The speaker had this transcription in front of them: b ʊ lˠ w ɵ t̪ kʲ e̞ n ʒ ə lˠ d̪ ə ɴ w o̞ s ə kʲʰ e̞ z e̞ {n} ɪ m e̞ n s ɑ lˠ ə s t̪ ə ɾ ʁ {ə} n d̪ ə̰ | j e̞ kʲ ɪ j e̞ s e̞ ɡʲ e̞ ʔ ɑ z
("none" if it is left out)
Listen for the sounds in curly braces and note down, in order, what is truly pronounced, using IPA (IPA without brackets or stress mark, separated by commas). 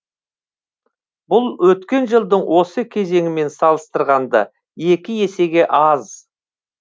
ŋ, ɑ